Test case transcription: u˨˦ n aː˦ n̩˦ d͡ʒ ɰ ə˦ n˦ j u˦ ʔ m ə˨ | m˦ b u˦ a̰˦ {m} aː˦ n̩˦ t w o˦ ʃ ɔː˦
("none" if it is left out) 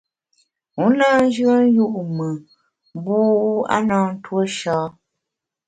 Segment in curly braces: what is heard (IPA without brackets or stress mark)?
n